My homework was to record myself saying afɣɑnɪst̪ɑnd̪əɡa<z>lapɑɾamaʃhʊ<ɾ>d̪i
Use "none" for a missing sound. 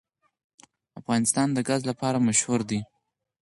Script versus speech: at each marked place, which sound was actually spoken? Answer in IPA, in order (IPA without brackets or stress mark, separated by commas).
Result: z, ɾ